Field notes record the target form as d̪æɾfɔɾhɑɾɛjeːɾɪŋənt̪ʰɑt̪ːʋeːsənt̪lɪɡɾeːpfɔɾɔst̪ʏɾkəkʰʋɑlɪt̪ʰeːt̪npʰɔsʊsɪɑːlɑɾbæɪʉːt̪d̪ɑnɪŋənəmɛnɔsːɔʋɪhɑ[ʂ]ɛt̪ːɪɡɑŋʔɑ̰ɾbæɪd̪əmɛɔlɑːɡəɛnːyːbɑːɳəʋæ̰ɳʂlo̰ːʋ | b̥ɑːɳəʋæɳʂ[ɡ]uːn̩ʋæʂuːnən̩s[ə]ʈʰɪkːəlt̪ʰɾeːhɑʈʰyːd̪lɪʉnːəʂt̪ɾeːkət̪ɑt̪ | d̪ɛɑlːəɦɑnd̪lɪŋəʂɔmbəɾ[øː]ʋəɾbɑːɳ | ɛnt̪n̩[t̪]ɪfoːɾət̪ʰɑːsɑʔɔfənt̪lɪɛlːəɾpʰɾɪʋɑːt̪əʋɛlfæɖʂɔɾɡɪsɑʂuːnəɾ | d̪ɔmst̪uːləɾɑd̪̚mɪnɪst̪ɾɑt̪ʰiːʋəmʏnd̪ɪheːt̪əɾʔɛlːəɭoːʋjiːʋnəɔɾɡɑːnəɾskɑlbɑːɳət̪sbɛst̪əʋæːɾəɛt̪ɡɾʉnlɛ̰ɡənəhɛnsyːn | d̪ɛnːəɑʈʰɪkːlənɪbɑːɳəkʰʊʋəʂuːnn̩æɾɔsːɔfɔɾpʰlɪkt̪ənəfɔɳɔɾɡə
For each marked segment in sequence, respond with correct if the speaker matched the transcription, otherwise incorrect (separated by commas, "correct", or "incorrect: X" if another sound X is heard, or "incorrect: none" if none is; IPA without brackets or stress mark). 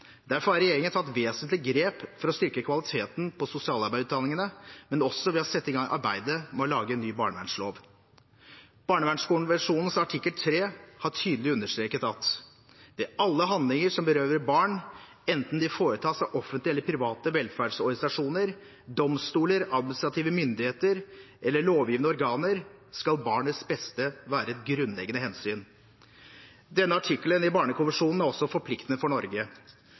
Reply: incorrect: s, incorrect: k, incorrect: ɑ, correct, incorrect: d̪